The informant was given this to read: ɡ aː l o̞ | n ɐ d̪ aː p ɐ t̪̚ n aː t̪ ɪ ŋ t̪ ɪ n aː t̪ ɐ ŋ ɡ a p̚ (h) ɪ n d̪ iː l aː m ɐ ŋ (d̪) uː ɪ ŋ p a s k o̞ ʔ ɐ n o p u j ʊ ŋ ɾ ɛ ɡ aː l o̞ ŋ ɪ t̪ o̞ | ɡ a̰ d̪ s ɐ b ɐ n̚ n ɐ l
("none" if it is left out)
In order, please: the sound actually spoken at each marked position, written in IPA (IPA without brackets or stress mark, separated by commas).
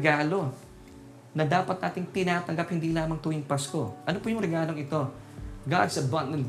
h, t̪